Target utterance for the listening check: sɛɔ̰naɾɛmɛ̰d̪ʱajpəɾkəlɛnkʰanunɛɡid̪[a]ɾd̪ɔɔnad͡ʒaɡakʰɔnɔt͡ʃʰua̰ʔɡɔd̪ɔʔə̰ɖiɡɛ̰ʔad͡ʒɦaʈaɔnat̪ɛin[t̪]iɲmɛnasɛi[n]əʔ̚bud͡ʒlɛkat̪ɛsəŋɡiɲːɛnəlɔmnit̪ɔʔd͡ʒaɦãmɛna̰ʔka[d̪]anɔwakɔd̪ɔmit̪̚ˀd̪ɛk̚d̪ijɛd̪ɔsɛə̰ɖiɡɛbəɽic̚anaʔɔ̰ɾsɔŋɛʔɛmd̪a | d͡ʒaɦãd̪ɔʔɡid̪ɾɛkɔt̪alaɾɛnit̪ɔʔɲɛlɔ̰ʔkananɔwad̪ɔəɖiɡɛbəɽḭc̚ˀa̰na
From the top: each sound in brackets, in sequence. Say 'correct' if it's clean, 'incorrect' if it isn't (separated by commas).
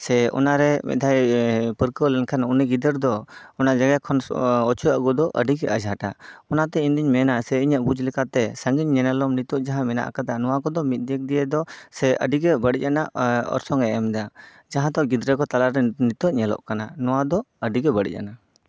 incorrect, incorrect, incorrect, correct